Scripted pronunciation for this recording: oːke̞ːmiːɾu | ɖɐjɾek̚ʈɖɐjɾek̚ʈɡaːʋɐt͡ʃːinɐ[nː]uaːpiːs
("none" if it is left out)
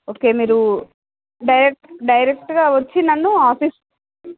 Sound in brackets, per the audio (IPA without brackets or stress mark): nː